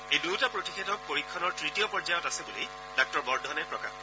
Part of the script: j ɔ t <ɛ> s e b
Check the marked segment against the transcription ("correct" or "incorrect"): incorrect